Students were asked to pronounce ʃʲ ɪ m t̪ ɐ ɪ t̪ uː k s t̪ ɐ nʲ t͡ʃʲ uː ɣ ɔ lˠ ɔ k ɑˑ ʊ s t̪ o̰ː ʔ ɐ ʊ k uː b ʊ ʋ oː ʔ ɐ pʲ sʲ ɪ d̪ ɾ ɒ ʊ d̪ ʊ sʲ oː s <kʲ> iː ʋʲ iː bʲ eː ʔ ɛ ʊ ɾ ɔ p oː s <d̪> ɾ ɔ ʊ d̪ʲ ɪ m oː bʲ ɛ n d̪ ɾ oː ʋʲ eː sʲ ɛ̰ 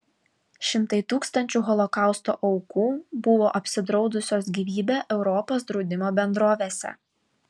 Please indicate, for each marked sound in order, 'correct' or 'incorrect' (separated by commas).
incorrect, correct